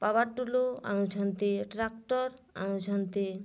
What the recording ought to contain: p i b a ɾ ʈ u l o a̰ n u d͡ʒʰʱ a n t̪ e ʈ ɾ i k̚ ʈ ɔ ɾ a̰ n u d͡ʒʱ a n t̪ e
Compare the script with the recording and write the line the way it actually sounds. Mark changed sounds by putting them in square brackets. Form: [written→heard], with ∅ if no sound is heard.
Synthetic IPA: p [i→a] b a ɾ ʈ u l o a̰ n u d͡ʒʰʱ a n t̪ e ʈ ɾ [i→a] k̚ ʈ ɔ ɾ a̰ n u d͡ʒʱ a n t̪ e